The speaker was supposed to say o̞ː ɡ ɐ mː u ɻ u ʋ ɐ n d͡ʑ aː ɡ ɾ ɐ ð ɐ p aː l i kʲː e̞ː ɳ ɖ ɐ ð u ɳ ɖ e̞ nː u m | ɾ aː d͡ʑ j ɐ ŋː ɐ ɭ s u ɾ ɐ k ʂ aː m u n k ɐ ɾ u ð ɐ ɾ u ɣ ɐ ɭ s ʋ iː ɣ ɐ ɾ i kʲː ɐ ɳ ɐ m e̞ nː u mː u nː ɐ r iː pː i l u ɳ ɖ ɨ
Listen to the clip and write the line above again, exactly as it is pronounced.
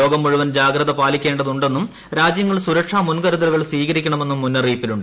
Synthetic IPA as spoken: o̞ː ɡ ɐ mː u ɻ u ʋ ɐ n d͡ʑ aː ɡ ɾ ɐ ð ɐ p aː l i kʲː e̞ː ɳ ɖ ɐ ð u ɳ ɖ e̞ nː u m | ɾ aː d͡ʑ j ɐ ŋː ɐ ɭ s u ɾ ɐ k ʂ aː m u n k ɐ ɾ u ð ɐ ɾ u ɣ ɐ ɭ s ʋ iː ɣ ɐ ɾ i kʲː ɐ ɳ ɐ m e̞ nː u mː u nː ɐ r iː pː i l u ɳ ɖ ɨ